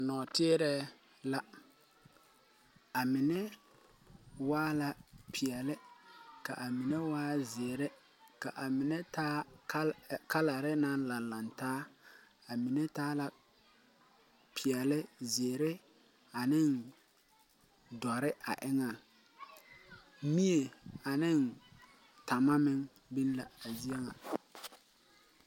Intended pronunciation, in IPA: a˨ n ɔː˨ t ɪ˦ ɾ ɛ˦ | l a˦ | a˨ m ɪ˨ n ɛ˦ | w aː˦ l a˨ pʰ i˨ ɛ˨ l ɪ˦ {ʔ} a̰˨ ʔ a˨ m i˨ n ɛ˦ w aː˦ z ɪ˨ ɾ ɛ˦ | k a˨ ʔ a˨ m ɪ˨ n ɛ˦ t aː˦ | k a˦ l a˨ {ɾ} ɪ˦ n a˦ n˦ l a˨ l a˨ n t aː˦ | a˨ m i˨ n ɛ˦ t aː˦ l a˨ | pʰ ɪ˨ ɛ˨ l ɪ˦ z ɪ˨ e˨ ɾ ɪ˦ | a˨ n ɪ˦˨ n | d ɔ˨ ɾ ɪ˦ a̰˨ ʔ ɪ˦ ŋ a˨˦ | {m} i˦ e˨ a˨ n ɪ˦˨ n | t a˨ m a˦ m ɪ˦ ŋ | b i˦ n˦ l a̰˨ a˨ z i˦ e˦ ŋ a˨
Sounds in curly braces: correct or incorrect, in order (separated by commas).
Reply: incorrect, correct, correct